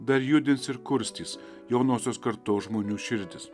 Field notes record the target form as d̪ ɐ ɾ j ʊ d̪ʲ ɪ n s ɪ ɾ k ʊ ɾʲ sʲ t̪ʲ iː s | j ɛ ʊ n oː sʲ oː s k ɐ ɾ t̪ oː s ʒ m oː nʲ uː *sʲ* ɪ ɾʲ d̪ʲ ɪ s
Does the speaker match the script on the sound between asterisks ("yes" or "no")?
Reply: no